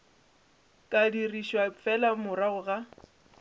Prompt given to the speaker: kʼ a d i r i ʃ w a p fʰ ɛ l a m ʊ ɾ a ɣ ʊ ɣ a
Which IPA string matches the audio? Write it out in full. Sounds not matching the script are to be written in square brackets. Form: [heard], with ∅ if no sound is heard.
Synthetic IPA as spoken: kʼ a d i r i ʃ w a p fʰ ɛ l a m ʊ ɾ a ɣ ʊ ɣ a